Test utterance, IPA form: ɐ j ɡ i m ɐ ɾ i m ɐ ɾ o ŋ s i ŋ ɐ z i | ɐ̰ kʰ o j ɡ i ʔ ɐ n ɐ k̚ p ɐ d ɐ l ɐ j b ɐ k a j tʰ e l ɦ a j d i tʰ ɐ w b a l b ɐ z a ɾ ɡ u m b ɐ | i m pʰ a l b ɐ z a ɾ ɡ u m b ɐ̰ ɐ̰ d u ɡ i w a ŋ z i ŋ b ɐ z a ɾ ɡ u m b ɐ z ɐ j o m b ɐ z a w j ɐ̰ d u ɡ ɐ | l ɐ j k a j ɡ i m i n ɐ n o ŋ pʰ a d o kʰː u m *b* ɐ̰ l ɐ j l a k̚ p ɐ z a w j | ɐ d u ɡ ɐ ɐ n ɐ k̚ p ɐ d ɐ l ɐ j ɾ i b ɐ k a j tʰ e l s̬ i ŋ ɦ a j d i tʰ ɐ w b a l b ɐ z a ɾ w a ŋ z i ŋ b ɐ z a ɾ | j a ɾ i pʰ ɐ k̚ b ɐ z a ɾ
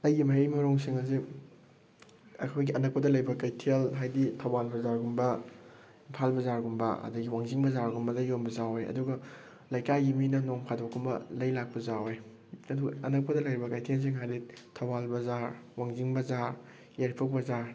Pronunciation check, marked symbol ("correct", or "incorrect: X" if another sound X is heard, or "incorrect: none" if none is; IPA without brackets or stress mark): correct